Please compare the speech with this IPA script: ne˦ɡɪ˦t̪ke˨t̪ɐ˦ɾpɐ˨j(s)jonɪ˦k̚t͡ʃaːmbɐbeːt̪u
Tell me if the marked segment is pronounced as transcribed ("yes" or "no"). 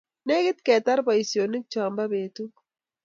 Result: yes